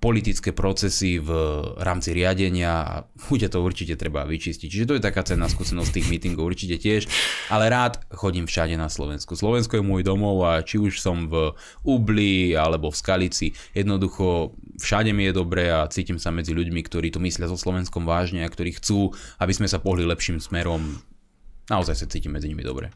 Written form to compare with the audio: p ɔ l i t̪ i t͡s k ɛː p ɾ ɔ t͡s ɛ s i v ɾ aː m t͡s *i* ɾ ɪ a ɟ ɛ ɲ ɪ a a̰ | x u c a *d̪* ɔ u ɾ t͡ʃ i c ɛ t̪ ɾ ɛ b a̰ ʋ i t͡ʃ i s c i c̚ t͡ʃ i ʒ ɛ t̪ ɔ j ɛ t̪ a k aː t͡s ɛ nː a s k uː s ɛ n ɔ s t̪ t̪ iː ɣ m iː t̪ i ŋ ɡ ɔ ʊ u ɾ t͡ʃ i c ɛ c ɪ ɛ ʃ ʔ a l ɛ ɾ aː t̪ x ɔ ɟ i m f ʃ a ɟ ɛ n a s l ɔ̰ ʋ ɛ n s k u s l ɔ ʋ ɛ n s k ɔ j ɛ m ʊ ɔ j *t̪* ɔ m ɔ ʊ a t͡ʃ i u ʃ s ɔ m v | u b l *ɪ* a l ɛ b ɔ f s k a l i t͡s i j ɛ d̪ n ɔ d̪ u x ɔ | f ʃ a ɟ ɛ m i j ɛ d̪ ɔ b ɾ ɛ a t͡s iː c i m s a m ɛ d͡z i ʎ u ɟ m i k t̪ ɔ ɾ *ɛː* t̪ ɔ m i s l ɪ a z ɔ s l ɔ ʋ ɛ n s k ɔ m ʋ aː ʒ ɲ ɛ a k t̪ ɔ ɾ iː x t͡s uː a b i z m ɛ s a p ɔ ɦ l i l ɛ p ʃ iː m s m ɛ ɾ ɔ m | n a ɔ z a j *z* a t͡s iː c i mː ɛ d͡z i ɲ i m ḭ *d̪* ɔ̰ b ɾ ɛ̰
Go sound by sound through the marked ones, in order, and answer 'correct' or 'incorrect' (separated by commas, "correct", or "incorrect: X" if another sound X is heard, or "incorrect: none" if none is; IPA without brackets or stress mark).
correct, incorrect: t̪, incorrect: d̪, incorrect: i, incorrect: iː, incorrect: s, correct